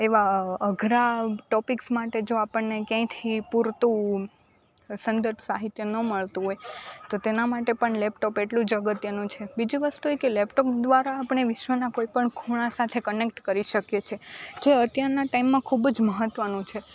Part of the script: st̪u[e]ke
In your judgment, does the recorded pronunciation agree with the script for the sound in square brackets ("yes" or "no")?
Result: yes